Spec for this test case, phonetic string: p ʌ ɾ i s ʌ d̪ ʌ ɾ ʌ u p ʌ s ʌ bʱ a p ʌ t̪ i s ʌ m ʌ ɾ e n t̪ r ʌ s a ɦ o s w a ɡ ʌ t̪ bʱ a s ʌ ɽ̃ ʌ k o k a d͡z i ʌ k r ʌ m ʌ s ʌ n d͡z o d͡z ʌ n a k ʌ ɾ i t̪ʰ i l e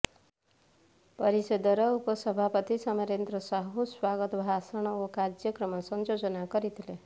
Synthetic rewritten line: p ʌ ɾ i s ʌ d̪ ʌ ɾ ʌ u p ʌ s ʌ bʱ a p ʌ t̪ i s ʌ m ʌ ɾ e n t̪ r ʌ s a ɦ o s w a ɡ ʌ t̪ bʱ a s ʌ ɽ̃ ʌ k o k a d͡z j ʌ k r ʌ m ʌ s ʌ n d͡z o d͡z ʌ n a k ʌ ɾ i t̪ʰ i l e